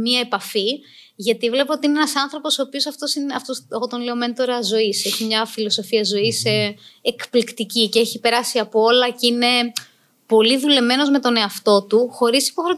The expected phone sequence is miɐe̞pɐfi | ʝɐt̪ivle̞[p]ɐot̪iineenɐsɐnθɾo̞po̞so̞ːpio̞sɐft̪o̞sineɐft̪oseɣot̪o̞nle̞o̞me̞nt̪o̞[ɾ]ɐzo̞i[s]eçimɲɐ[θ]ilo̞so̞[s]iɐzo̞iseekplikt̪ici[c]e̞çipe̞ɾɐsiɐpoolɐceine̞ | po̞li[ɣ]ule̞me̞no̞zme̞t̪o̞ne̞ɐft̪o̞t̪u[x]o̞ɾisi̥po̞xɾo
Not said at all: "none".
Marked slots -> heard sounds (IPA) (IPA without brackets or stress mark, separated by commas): p, ɾ, s, f, f, c, ð, x